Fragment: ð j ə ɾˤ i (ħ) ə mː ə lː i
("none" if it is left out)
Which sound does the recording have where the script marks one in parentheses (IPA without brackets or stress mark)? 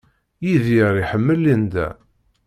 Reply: ħ